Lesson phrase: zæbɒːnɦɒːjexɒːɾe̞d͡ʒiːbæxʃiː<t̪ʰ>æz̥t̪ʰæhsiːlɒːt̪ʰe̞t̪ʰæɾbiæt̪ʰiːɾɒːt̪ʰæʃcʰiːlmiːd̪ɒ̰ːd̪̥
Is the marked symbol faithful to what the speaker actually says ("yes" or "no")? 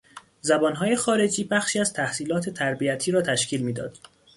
no